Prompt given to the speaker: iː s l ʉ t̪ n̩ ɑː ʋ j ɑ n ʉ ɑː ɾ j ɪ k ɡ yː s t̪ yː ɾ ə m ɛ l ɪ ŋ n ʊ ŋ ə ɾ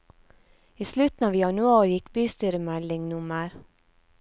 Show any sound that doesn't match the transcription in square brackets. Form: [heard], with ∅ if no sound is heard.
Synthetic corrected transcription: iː s l ʉ t̪ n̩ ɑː ʋ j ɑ n ʉ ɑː ɾ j ɪ k [b] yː s t̪ yː ɾ ə m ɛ l ɪ ŋ n ʊ [m] ə ɾ